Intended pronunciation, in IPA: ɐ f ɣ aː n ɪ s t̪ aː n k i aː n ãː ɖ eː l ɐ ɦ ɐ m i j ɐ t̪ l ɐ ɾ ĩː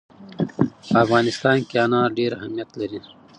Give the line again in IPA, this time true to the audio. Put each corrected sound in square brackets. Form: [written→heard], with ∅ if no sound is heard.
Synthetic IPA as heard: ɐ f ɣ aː n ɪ s t̪ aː n k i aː n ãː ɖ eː [l→ɾ] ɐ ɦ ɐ m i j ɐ t̪ l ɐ ɾ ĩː

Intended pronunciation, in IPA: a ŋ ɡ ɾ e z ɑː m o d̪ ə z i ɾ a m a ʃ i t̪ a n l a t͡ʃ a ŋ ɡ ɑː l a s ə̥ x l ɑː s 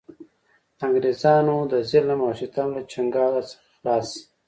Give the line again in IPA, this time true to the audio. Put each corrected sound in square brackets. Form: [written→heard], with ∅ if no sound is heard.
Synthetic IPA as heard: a ŋ ɡ ɾ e z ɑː [m→n] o d̪ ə z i [ɾ→l] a m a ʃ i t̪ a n l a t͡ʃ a ŋ ɡ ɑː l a s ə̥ x l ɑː s

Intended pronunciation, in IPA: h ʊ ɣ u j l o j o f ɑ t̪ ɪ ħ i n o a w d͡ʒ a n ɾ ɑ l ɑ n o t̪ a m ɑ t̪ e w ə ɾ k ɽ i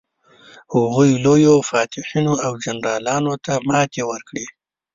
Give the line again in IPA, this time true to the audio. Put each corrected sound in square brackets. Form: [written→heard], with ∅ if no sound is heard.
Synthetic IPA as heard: h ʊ ɣ u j l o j o f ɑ t̪ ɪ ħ i n o a w d͡ʒ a n ɾ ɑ l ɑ n o t̪ a m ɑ t̪ e w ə ɾ k ɽ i

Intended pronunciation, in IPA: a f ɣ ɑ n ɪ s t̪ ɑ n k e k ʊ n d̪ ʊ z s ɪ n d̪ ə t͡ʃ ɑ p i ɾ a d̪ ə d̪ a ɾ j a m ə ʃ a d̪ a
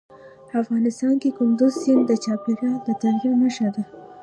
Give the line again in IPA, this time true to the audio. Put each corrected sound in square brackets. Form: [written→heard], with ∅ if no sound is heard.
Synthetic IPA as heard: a f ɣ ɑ n ɪ s t̪ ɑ n k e k ʊ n d̪ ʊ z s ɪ n d̪ ə t͡ʃ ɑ p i ɾ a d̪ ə [d̪→t̪] a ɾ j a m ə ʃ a d̪ a

